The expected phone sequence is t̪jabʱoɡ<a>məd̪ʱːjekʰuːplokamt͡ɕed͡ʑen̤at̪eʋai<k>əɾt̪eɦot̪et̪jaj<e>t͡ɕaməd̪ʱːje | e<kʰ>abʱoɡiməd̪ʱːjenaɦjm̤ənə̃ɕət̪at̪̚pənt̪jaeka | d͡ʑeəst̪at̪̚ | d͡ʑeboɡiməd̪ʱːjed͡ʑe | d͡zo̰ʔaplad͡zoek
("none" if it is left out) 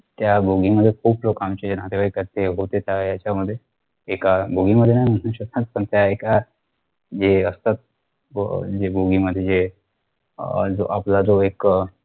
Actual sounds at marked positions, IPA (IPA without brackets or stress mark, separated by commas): i, k, a, k